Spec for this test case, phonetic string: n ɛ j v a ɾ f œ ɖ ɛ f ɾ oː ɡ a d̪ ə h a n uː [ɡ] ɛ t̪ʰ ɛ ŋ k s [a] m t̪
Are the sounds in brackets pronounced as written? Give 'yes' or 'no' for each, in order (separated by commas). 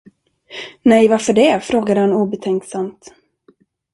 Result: no, yes